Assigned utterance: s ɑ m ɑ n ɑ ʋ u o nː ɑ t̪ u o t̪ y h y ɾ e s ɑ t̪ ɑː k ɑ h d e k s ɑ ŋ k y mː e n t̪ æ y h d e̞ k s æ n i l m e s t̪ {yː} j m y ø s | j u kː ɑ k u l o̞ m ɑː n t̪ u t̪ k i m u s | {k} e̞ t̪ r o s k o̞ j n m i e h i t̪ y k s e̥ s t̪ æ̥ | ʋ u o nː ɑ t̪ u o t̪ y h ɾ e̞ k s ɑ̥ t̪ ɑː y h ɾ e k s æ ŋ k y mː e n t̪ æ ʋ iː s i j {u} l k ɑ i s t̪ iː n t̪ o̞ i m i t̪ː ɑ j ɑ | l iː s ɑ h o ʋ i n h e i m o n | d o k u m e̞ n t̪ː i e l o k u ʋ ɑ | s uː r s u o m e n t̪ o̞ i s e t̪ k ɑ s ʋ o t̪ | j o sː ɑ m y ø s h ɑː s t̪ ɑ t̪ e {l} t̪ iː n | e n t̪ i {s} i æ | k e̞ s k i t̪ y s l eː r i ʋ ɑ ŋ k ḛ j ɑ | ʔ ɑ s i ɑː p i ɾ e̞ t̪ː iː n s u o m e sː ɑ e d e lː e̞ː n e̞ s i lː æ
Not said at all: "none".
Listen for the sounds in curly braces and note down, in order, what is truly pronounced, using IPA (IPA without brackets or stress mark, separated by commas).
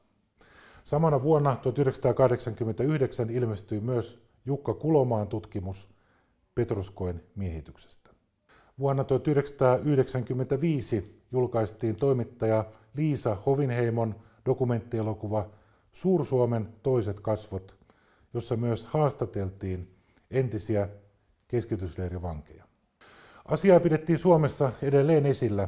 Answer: y, p, u, l, s